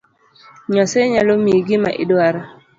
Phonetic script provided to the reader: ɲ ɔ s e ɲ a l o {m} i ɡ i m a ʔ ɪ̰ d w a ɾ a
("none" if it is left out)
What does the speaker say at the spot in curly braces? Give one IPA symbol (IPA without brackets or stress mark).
m